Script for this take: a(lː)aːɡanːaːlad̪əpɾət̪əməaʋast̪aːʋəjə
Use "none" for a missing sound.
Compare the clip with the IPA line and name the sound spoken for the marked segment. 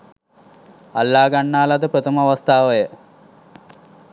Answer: lː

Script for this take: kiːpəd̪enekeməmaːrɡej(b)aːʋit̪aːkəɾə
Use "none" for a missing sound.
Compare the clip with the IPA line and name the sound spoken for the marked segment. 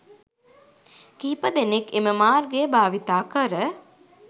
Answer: b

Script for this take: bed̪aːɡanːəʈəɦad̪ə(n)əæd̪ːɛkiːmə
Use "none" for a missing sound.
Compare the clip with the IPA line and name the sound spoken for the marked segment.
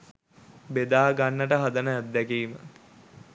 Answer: n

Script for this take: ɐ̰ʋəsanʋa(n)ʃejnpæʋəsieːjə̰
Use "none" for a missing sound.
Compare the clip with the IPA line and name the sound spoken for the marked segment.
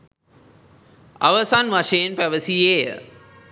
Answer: none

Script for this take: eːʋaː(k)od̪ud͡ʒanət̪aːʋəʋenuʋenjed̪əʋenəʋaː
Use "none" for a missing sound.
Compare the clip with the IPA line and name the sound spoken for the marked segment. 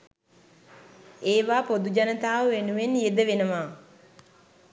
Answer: p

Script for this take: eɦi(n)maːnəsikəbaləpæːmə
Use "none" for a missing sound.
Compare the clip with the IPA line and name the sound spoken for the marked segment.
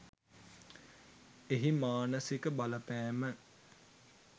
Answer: none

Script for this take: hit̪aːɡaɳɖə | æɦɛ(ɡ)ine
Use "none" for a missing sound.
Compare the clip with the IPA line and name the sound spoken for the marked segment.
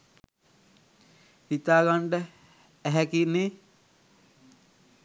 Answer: k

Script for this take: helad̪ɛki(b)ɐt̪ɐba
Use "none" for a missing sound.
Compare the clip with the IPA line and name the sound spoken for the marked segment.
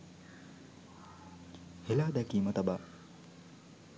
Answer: m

